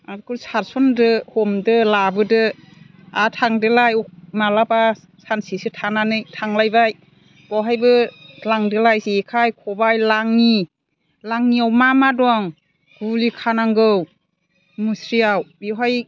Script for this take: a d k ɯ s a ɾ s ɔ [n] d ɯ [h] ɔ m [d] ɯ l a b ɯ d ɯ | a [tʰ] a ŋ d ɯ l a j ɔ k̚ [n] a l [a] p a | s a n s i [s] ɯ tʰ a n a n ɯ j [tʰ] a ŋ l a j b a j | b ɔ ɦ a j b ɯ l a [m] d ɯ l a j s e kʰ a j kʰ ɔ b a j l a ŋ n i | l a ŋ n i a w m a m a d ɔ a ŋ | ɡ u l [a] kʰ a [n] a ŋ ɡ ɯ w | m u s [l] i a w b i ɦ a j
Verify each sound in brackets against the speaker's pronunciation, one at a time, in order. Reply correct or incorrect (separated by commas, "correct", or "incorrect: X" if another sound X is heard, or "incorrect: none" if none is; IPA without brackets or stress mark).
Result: correct, correct, correct, correct, incorrect: m, correct, correct, correct, incorrect: ŋ, incorrect: i, correct, incorrect: ɾ